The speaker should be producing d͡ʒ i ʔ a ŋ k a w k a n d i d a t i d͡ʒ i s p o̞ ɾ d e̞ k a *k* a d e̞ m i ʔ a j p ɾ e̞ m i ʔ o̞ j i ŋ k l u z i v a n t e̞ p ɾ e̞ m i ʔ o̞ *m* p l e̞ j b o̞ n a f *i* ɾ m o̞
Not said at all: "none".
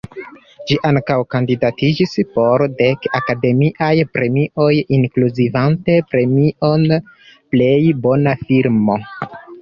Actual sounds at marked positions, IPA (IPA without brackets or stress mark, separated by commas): k, n, i